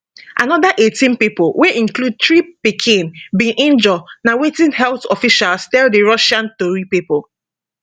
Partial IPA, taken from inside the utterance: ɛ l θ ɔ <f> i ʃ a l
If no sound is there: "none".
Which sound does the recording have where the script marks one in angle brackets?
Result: f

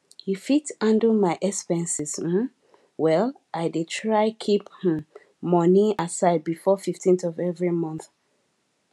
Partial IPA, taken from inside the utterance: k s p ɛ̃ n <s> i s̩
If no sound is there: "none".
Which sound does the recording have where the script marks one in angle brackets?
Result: s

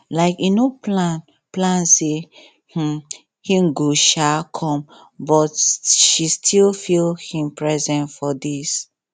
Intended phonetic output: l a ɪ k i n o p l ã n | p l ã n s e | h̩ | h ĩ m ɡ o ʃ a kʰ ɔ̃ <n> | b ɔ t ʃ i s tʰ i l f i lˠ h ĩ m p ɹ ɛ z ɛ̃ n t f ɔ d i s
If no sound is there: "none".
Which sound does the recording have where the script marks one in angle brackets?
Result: m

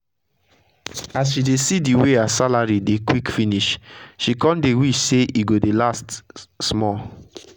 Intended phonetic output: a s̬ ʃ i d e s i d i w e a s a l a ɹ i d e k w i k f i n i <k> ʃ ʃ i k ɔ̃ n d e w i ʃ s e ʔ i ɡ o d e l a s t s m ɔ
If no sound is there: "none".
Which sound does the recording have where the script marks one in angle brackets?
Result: none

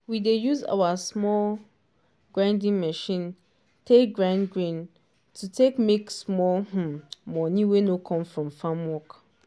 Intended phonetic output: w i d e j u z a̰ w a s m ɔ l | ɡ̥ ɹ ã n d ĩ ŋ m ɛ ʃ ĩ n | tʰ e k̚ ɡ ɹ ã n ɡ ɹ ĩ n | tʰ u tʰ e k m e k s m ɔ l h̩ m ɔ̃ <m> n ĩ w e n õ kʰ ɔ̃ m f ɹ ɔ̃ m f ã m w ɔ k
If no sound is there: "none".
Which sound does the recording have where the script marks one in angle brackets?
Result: none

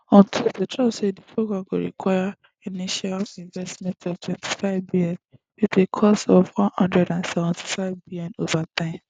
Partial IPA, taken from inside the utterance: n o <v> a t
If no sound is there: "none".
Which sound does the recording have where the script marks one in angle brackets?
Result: v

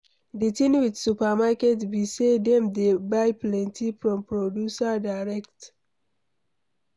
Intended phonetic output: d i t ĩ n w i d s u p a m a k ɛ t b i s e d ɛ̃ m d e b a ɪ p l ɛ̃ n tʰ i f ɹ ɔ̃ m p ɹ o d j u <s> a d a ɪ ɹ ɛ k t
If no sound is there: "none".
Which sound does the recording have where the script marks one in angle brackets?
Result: s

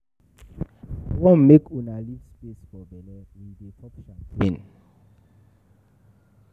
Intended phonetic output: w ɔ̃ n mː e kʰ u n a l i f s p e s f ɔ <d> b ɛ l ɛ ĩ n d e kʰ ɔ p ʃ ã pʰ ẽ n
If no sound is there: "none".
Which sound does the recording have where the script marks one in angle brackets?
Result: none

